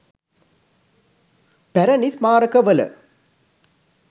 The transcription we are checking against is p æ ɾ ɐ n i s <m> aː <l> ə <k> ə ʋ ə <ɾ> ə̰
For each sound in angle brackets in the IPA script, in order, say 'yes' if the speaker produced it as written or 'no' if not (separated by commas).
yes, no, yes, no